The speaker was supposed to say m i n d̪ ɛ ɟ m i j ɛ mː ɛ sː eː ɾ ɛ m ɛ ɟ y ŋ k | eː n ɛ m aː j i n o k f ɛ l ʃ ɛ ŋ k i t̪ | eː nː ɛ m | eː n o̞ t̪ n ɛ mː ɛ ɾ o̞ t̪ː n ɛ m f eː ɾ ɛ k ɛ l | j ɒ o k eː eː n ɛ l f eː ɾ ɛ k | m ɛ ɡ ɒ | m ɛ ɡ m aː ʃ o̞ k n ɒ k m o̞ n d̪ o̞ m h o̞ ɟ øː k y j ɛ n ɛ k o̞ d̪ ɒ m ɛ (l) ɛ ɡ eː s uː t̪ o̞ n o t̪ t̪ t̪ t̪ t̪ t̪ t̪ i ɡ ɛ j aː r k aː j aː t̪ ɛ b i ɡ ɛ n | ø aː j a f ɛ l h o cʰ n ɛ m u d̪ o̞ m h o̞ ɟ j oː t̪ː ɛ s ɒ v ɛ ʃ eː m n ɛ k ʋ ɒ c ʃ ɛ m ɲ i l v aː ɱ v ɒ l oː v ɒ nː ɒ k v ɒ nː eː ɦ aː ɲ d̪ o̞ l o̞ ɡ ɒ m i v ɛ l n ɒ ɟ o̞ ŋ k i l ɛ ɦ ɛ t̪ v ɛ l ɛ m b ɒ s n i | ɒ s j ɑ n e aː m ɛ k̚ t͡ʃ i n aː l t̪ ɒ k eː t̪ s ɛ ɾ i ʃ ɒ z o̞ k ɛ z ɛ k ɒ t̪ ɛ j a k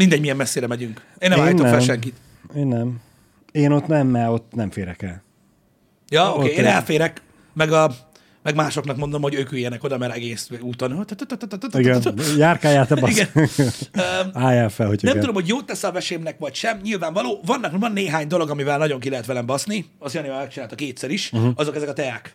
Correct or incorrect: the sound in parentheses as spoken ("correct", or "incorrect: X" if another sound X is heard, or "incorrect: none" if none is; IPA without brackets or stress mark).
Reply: incorrect: ɾ